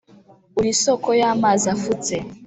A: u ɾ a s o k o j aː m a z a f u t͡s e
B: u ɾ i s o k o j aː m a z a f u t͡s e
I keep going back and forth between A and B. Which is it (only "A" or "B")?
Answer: B